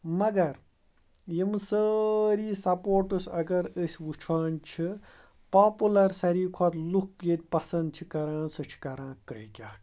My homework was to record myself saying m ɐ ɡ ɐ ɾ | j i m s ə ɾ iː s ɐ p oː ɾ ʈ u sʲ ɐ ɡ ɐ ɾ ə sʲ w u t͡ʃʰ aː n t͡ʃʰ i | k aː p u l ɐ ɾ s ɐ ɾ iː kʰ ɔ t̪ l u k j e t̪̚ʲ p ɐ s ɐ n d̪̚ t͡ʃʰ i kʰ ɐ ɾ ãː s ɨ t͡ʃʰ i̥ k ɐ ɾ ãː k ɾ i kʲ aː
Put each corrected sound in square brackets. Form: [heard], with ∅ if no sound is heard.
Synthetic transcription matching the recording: m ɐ ɡ ɐ ɾ | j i m s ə ɾ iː s ɐ p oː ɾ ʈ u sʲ ɐ ɡ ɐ ɾ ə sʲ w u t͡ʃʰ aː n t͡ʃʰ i | [p] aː p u l ɐ ɾ s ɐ ɾ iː kʰ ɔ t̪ l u k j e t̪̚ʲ p ɐ s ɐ n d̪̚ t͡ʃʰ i [k] ɐ ɾ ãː s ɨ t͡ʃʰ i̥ k ɐ ɾ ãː k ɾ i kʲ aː

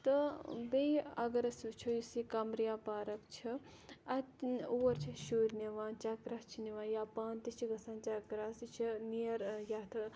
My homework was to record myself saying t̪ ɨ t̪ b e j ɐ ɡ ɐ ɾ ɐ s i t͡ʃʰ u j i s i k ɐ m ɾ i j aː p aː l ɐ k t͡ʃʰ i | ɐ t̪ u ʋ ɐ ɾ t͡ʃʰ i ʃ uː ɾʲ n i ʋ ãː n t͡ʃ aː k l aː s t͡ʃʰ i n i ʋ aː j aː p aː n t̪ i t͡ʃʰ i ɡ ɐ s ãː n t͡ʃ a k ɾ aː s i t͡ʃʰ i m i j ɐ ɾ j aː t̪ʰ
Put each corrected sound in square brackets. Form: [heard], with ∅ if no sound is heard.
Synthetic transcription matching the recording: t̪ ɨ [∅] b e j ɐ ɡ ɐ ɾ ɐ s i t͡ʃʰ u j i s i k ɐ m ɾ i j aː p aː [ɾ] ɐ k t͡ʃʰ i | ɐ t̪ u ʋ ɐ ɾ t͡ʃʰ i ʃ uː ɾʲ n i ʋ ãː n t͡ʃ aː k [ɾ] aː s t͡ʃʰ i n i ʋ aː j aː p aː n t̪ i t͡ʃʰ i ɡ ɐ s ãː n t͡ʃ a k ɾ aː s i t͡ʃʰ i [n] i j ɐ ɾ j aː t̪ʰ

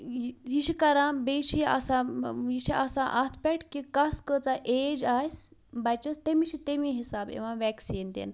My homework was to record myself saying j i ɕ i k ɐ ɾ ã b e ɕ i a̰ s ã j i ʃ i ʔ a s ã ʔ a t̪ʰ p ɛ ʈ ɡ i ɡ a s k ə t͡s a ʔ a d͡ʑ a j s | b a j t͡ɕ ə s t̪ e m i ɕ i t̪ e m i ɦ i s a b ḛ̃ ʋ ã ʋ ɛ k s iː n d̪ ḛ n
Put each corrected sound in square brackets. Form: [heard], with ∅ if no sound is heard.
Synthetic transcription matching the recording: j i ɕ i k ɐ ɾ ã b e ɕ i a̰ s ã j i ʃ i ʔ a s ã ʔ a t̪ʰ p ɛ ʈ [k] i [k] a s k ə t͡s a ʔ [e] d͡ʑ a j s | b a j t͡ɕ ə s t̪ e m i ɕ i t̪ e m i ɦ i s a b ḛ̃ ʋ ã ʋ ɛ k s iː n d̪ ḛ n

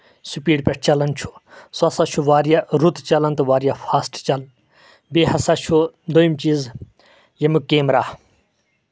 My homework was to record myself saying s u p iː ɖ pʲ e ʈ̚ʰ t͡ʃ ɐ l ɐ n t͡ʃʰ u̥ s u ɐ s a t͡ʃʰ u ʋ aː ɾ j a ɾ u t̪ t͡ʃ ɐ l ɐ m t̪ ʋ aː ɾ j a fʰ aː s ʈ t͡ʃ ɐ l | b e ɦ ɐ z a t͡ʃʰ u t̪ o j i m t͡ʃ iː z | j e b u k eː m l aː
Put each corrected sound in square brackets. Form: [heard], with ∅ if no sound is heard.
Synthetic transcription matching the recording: s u p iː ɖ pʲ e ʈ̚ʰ t͡ʃ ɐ l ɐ n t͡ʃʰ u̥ s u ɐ s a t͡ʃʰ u ʋ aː ɾ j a ɾ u t̪ t͡ʃ ɐ l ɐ [n] t̪ ʋ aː ɾ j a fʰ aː s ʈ t͡ʃ ɐ l | b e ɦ ɐ [s] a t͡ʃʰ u [d̪] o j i m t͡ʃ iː z | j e [m] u k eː m [ɾ] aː

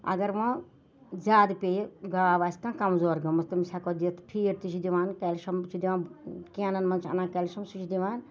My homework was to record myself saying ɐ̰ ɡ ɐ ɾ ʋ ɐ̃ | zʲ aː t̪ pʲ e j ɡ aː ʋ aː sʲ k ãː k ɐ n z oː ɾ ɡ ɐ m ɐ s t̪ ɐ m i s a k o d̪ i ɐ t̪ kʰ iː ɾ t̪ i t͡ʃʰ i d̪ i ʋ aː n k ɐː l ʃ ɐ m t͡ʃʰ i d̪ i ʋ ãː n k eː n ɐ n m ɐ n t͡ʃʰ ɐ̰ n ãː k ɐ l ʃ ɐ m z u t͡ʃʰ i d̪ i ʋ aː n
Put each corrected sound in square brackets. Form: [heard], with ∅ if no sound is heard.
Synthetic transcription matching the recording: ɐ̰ ɡ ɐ ɾ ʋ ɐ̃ | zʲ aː [d̪] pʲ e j ɡ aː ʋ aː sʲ k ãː k ɐ [m] z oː ɾ ɡ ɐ m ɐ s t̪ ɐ m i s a k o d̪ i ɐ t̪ [pʰ] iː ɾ t̪ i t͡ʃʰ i d̪ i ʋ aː n k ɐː l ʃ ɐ m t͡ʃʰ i d̪ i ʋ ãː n k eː n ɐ n m ɐ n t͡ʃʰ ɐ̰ n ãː k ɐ l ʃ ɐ m [s] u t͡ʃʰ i d̪ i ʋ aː n

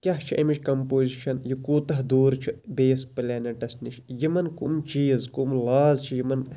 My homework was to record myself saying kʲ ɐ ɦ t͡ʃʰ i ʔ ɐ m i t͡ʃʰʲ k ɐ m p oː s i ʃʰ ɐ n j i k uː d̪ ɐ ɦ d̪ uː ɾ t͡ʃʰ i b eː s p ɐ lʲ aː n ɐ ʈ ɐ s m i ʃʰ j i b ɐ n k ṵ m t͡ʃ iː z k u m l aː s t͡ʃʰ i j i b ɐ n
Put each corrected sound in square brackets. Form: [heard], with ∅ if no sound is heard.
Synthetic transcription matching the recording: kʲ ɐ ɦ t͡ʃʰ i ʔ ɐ m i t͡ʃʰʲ k ɐ m p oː [z] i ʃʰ ɐ n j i k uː [t̪] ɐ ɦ d̪ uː ɾ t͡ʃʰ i b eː s p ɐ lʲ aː n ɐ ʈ ɐ s [n] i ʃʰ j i [m] ɐ n k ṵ m t͡ʃ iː z k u m l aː [z] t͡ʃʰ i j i [m] ɐ n

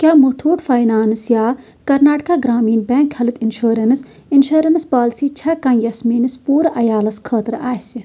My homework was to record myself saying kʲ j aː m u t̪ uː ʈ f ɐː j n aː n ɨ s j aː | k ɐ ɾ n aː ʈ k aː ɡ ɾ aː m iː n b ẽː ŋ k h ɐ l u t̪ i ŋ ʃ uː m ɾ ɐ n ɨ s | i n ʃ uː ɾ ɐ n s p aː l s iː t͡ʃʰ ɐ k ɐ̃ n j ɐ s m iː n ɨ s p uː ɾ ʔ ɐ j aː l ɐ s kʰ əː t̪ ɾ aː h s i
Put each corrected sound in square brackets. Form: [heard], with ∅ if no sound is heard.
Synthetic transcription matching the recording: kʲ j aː m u [t̪ʰ] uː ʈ f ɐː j n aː n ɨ s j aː | k ɐ ɾ n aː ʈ k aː ɡ ɾ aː m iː n b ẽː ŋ k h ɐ l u t̪ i [n] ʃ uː [∅] ɾ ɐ n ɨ s | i n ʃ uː ɾ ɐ n s p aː l s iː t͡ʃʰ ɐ k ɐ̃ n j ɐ s m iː n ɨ s p uː ɾ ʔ ɐ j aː l ɐ s kʰ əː t̪ ɾ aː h s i

